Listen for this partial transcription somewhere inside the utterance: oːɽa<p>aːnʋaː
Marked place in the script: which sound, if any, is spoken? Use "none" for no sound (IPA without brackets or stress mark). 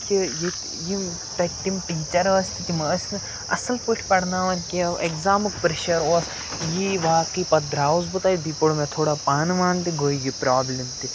p